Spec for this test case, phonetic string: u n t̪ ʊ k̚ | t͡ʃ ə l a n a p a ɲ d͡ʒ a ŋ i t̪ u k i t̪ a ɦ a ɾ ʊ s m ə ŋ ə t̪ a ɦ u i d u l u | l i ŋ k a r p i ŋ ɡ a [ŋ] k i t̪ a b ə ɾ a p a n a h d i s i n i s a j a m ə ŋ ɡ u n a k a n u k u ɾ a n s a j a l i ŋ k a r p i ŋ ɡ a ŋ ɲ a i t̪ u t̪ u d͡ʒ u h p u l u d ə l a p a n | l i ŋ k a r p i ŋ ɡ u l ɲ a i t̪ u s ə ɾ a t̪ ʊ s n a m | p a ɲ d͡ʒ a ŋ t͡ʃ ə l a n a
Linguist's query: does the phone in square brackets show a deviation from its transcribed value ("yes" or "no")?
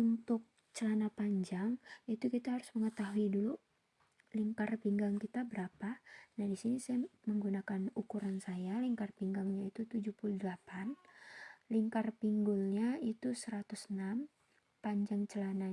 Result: no